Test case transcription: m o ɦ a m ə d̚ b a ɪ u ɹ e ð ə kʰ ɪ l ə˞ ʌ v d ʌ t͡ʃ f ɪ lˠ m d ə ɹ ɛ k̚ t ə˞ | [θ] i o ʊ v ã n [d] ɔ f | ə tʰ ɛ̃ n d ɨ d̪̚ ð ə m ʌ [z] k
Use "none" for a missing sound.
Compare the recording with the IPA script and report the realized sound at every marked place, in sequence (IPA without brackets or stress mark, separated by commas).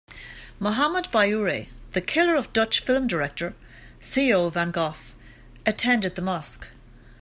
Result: θ, ɡ, s